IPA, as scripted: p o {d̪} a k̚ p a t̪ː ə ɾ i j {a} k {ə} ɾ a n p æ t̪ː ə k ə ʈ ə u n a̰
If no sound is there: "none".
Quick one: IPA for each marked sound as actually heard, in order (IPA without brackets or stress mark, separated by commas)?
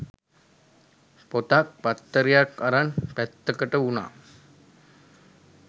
t̪, a, a